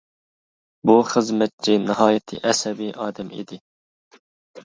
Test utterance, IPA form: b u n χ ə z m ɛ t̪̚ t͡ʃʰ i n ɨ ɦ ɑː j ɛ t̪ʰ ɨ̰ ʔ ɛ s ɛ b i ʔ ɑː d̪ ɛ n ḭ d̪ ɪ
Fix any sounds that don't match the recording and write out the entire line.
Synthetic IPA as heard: b u χ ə z m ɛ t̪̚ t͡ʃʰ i n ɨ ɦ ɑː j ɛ t̪ʰ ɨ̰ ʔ ɛ s ɛ b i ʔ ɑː d̪ ɛ m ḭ d̪ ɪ